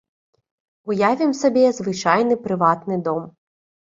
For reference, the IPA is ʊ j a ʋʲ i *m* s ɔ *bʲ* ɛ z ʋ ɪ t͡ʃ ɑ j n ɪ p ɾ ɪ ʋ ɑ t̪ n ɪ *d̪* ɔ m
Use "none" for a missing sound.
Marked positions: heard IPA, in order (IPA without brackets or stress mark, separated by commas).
m, bʲ, d̪